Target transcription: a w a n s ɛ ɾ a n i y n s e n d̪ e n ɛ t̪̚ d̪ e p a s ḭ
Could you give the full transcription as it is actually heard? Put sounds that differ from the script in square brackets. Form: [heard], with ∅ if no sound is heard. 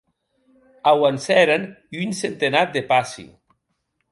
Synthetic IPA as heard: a w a n s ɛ ɾ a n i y n s e n [t̪] e n [a] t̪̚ d̪ e p a s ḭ

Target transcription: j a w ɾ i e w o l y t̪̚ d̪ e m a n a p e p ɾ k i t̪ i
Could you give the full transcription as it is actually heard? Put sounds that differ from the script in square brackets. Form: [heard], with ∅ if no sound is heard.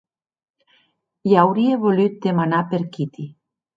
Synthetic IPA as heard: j a w ɾ i e [β] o l y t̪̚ d̪ e m a n a p e [∅] ɾ k i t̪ i

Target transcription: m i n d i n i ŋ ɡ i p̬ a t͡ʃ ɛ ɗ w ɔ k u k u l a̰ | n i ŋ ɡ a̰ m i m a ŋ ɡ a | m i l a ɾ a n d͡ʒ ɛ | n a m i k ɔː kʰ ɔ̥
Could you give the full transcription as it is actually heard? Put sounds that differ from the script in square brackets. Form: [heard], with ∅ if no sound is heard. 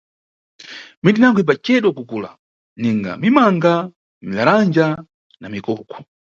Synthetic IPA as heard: m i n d i n [a] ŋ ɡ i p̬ a t͡ʃ ɛ ɗ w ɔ k u k u l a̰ | n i ŋ ɡ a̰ m i m a ŋ ɡ a | m i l a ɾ a n d͡ʒ [a] | n a m i k ɔː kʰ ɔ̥

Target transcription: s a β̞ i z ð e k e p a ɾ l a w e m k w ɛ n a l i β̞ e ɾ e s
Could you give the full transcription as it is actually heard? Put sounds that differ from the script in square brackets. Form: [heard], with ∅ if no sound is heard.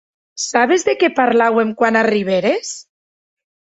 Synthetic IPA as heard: s a β̞ [e] z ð e k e p a ɾ l a w e m k w [a] n a [r] i β̞ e ɾ e s

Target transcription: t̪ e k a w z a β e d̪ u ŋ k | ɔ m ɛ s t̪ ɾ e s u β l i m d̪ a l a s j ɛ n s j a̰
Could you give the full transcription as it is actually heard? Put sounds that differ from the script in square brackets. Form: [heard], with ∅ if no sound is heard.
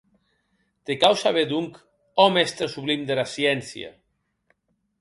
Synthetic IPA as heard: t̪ e k a w [s] a β e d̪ u ŋ k | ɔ m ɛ s t̪ ɾ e s u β l i m d̪ [e] l a s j ɛ n s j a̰

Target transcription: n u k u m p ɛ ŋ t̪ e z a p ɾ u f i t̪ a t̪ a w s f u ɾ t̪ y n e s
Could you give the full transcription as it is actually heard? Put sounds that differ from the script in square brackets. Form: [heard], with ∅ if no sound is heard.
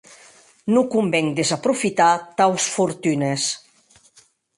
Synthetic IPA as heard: n u k u m [b] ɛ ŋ [d̪] e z a p ɾ u f i t̪ a t̪ a w s f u ɾ t̪ y n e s

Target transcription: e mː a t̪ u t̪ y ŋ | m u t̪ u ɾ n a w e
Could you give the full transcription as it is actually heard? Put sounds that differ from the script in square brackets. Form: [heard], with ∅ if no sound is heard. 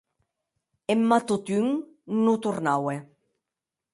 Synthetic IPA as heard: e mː a t̪ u t̪ y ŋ | [n] u t̪ u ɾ n a w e

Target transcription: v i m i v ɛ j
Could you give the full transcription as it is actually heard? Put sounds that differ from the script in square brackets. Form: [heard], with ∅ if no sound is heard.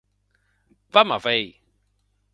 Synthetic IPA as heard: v [a] m [a] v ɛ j

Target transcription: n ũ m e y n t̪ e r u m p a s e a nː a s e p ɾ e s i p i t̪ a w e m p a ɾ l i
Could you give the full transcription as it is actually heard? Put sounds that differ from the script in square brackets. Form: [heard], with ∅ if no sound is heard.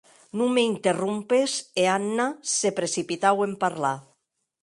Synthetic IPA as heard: n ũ m e [i] n t̪ e r u m p [e] s e a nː a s e p ɾ e s i p i t̪ a w e m p a ɾ l [a]

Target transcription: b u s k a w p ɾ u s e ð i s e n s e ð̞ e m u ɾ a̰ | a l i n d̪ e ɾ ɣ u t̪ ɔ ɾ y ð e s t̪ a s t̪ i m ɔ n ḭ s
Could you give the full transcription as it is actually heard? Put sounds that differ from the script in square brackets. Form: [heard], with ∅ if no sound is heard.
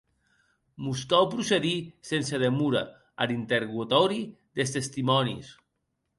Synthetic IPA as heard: [m] u s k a w p ɾ u s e ð i s e n s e ð̞ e m u ɾ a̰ | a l i n [t̪] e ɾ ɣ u t̪ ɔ ɾ [i] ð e s t̪ [e] s t̪ i m ɔ n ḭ s

